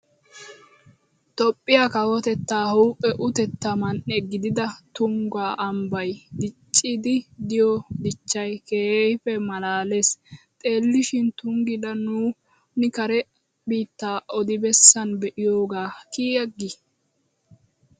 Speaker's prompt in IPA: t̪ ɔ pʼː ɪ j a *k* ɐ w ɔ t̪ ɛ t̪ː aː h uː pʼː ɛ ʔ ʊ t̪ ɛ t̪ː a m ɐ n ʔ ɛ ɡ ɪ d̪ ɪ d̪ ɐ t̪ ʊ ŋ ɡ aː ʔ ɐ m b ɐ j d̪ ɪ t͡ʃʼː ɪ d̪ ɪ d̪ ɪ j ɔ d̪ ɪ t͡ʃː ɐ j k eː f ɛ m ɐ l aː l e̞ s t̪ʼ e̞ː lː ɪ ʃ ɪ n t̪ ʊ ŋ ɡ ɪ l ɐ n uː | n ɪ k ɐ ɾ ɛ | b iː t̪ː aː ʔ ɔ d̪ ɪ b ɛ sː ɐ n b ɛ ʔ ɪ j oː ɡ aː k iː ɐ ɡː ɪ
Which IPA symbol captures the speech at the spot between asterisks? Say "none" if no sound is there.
k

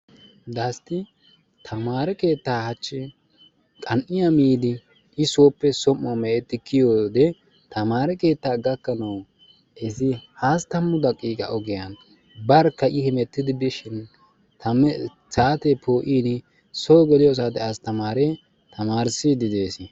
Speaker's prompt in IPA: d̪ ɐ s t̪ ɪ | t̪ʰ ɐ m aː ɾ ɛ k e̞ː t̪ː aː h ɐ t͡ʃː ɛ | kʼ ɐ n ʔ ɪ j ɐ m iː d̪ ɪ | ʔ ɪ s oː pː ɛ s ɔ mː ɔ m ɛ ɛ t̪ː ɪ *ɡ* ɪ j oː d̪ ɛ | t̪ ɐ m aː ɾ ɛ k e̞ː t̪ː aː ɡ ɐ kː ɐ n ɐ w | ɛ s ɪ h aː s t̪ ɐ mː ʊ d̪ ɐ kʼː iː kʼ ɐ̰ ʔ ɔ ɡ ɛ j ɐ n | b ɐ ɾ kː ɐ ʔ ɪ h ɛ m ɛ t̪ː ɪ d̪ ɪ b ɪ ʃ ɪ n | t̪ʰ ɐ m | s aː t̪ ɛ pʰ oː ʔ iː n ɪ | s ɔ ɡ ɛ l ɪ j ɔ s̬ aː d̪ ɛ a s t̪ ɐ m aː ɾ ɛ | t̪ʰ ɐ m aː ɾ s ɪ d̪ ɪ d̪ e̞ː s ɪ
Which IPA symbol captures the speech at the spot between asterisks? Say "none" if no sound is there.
k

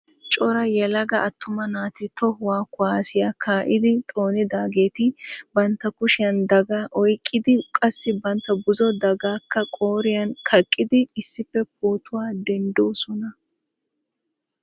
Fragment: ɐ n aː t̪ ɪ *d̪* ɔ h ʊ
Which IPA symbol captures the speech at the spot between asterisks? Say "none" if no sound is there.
t̪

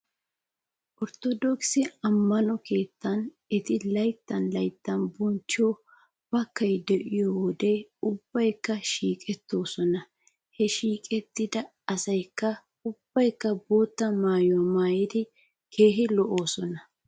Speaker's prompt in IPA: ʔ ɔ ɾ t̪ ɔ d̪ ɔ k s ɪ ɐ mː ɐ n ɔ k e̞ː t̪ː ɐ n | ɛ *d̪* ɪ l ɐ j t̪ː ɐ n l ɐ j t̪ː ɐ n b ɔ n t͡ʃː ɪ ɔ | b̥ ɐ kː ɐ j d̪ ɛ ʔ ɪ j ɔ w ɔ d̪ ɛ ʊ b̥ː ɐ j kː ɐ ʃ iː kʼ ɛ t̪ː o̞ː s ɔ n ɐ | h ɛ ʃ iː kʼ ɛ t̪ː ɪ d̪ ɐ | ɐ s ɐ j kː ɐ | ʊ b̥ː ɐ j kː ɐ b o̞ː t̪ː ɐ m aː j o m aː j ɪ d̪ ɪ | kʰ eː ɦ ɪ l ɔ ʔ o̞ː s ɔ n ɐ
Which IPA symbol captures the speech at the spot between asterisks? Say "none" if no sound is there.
t̪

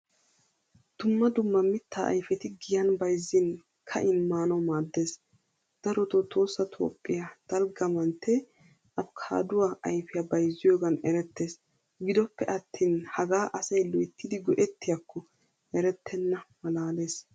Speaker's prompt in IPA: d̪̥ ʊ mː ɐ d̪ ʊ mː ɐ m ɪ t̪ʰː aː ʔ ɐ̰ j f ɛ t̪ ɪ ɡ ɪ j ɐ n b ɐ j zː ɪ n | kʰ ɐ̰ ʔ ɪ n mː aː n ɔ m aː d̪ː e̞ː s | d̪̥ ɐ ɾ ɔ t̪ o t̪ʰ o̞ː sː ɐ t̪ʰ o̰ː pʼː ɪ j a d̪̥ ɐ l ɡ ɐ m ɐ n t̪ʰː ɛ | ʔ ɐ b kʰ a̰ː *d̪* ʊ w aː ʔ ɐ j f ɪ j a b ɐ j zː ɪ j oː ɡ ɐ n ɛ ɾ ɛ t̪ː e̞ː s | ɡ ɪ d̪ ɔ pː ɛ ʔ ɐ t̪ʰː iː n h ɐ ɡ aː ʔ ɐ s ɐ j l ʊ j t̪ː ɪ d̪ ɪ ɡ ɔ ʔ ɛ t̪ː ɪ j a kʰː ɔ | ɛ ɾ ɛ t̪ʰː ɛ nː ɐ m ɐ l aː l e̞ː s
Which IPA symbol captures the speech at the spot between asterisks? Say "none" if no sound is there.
d̪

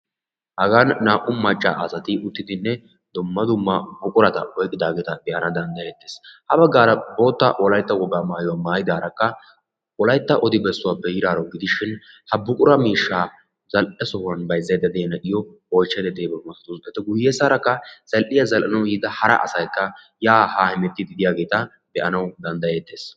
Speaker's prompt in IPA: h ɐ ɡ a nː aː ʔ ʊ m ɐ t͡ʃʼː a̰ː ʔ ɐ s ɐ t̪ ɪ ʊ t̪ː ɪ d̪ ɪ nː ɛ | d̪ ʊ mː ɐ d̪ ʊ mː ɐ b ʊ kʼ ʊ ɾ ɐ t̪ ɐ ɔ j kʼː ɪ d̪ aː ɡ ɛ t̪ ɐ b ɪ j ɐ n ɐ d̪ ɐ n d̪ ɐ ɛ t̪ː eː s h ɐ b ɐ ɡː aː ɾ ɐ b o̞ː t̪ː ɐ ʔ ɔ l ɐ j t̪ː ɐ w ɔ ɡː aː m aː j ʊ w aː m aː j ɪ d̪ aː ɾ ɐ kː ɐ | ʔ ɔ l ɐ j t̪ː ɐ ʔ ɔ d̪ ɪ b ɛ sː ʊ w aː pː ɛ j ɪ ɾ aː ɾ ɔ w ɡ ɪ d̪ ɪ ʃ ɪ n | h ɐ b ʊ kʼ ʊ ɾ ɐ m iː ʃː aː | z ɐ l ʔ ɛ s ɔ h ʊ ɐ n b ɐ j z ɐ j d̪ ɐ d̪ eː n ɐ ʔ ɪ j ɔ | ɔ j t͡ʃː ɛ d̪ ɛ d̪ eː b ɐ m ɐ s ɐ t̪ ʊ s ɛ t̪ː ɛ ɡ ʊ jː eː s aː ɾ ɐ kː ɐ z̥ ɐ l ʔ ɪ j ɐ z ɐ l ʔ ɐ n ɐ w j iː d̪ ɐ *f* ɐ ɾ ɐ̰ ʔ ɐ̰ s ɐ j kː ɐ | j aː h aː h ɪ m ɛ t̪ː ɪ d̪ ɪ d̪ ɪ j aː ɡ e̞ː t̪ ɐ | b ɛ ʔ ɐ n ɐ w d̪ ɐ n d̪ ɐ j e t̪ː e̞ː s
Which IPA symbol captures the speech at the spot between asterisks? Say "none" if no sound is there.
h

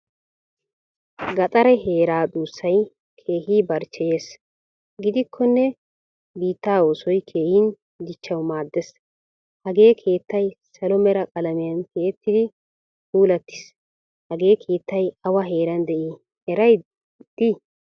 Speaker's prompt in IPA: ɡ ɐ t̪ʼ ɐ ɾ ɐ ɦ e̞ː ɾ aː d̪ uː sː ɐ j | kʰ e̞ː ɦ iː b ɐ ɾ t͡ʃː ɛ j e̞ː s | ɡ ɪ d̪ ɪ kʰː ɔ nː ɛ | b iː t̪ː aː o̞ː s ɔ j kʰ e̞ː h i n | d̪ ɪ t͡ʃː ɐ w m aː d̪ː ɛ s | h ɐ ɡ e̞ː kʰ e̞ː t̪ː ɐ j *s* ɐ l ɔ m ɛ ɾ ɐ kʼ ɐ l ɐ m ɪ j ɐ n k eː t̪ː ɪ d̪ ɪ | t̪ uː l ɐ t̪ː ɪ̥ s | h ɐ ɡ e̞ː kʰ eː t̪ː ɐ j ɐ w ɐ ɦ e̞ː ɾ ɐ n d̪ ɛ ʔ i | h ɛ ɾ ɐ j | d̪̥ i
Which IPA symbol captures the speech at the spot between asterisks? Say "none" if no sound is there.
s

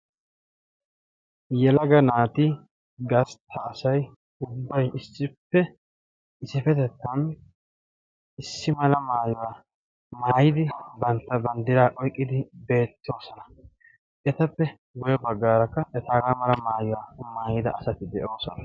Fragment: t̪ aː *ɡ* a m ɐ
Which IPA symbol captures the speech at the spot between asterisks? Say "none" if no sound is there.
ɡ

